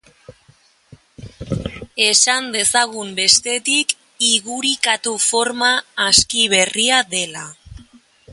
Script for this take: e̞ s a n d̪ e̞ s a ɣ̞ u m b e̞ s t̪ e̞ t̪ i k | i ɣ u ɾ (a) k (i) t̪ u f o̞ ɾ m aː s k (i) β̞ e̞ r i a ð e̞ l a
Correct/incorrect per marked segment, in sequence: incorrect: i, incorrect: a, correct

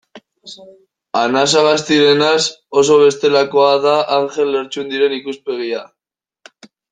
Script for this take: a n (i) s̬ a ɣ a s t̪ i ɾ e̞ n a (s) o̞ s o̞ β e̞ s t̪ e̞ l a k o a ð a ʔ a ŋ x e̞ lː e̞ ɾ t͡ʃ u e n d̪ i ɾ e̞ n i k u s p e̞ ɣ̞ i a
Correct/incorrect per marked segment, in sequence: incorrect: a, correct

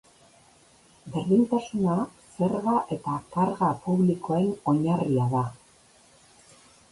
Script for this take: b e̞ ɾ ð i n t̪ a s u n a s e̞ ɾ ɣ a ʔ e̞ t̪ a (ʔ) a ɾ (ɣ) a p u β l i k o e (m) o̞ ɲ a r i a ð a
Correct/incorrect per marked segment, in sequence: incorrect: k, correct, incorrect: n

